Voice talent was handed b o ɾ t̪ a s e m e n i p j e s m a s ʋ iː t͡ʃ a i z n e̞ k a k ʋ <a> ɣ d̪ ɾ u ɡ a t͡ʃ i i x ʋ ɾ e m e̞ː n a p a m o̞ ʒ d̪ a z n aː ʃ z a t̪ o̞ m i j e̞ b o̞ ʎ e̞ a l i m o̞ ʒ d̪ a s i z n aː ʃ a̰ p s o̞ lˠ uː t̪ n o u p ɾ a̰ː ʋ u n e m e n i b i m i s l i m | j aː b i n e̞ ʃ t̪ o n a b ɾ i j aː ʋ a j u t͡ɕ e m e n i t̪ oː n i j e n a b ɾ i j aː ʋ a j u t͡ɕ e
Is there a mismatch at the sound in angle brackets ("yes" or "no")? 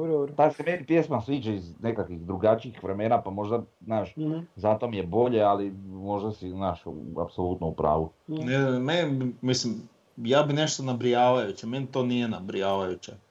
yes